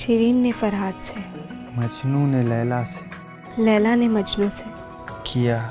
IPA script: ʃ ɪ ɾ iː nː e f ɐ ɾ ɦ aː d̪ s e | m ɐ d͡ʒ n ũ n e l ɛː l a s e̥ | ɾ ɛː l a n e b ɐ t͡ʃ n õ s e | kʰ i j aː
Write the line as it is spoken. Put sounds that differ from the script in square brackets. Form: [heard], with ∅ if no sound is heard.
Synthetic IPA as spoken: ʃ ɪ ɾ iː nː e f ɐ ɾ ɦ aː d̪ s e | m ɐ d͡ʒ n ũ n e l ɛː l a s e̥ | [l] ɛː l a n e [m] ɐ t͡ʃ n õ s e | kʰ i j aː